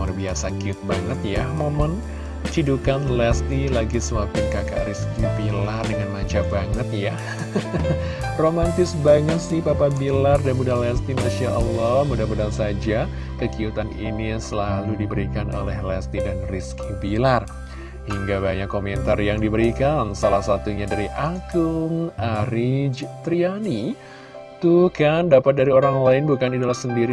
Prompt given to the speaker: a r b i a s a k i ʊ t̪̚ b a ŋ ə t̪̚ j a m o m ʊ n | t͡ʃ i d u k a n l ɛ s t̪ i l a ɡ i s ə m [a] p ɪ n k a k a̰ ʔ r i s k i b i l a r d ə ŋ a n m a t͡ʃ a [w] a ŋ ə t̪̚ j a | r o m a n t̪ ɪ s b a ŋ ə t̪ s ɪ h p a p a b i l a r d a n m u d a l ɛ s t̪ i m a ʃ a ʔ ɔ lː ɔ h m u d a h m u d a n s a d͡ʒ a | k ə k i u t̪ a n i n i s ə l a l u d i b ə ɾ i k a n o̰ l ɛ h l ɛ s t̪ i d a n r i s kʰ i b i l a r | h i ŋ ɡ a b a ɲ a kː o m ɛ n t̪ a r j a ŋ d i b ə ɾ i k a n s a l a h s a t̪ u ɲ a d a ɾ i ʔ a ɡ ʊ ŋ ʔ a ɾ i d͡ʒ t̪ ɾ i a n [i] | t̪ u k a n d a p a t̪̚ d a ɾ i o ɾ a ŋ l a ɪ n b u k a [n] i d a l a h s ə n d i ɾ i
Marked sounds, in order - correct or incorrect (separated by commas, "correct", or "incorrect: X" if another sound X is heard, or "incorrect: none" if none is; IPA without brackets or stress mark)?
correct, incorrect: b, correct, correct